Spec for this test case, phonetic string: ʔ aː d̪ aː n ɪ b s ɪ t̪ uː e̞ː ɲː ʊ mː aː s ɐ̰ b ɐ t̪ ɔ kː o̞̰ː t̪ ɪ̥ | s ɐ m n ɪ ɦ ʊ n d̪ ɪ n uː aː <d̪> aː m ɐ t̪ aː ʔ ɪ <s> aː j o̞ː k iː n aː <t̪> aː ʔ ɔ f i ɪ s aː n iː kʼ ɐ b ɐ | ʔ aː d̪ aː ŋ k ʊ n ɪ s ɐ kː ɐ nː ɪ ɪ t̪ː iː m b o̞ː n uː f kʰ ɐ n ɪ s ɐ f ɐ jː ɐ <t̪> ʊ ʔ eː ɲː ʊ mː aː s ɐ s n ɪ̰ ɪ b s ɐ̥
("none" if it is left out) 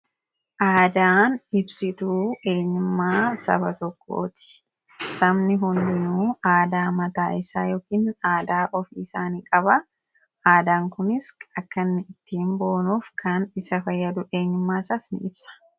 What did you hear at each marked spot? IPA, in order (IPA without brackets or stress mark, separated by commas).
d̪, s, d̪, d̪